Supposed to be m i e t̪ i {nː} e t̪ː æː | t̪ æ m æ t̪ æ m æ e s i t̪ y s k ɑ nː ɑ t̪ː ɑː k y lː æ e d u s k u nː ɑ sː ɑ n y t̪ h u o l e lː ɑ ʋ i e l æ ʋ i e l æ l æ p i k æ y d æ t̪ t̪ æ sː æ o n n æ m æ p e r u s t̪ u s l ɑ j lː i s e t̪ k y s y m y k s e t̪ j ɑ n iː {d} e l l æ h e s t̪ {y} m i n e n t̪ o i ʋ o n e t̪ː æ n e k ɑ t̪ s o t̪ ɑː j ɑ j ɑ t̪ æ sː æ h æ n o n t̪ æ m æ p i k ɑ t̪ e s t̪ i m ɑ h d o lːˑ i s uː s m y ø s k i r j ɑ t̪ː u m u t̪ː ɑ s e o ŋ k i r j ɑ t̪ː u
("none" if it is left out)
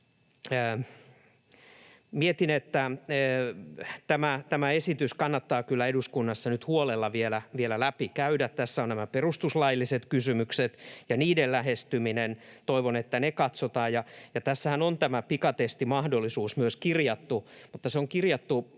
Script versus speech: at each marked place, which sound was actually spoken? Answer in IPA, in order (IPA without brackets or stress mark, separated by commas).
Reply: n, d, y